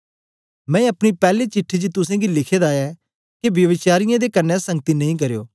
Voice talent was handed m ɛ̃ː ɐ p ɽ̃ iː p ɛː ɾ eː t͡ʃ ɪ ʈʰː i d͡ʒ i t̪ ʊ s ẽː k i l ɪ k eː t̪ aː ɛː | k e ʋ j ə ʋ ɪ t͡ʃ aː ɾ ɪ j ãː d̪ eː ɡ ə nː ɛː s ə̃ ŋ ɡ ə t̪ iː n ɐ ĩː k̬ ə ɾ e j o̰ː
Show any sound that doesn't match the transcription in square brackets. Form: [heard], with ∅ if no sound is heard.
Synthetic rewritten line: m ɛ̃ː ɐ p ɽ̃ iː p ɛː [l] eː t͡ʃ ɪ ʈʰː i d͡ʒ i t̪ ʊ s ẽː [ɡ] i l ɪ [kʰ] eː [d̪] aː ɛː | k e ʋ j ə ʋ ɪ t͡ʃ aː ɾ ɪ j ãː d̪ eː [k] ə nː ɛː s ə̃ ŋ ɡ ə t̪ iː n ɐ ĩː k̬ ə ɾ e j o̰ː